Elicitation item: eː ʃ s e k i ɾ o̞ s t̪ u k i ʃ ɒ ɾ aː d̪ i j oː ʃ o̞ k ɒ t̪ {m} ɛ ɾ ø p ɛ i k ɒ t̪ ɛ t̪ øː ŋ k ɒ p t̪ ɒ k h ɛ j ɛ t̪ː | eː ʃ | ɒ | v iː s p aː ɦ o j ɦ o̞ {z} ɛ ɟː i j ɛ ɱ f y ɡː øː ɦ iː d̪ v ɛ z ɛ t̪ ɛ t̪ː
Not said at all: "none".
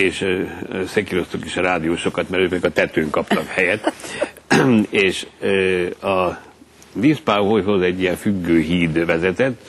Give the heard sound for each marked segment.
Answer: m, z

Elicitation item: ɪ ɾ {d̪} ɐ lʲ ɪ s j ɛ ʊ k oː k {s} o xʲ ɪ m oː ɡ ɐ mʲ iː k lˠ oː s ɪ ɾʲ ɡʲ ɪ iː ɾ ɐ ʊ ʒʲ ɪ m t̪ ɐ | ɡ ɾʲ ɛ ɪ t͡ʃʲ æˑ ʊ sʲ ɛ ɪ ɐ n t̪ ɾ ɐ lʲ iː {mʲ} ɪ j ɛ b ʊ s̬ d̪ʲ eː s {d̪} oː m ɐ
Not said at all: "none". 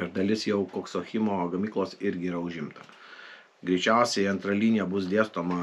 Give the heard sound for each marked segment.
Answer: d̪, s, nʲ, t̪

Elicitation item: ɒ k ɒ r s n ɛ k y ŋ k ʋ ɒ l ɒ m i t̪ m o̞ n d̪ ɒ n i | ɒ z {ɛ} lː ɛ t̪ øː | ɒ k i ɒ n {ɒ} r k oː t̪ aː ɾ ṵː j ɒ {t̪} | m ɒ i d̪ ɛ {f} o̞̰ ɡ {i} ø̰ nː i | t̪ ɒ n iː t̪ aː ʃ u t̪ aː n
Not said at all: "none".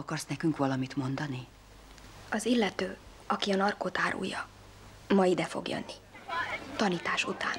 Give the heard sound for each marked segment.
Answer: i, ɒ, none, f, j

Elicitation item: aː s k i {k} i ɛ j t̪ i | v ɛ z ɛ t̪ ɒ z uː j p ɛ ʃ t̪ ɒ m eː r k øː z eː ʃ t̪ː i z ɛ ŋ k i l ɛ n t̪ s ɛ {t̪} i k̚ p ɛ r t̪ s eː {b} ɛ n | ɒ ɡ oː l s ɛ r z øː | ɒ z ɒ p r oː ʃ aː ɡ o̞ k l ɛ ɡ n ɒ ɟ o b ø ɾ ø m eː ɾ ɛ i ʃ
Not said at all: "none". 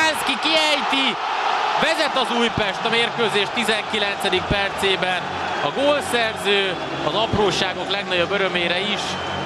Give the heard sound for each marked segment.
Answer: k, d̪, b

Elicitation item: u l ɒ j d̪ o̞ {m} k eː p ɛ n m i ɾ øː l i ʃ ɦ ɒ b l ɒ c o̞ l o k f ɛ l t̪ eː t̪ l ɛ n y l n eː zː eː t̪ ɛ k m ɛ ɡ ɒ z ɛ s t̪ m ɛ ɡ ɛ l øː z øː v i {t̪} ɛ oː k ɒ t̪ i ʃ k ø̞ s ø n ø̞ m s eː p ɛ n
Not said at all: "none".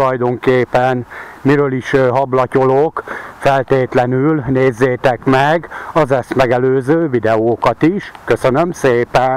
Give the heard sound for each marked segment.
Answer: ŋ, d̪

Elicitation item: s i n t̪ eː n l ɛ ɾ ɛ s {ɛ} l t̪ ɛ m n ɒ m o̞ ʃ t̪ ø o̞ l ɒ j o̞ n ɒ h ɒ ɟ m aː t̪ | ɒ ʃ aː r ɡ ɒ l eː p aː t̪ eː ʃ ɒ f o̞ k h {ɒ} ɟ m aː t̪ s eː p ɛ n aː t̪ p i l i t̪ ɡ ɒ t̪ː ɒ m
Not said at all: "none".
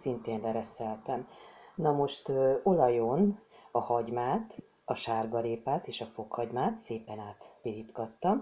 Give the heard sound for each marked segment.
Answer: ɛ, ɒ

